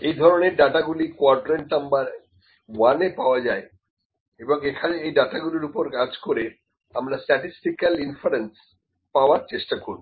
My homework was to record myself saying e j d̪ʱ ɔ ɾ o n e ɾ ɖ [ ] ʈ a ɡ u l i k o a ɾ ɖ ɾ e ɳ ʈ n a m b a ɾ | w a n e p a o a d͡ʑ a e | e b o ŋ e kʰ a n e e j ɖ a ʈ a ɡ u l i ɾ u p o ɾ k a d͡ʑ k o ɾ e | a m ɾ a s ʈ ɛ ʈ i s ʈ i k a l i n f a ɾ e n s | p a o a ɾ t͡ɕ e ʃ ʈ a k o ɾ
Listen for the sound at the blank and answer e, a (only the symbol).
a